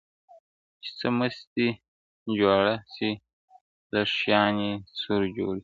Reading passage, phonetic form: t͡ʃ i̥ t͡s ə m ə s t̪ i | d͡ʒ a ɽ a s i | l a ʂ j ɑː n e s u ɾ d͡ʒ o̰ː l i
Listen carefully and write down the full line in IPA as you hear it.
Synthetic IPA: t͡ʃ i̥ t͡s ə m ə s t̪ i | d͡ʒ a ɽ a s i | l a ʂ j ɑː n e s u ɾ d͡ʒ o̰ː ɽ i